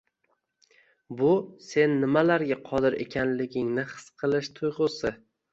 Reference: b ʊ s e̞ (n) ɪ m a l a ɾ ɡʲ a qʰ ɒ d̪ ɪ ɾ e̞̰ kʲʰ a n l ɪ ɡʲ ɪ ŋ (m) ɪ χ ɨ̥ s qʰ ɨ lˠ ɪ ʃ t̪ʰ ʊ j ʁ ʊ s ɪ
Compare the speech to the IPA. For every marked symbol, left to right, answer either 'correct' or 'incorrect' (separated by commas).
incorrect, incorrect